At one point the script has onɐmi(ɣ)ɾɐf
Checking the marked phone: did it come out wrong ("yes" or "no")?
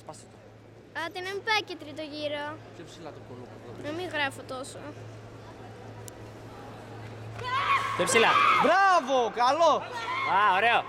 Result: no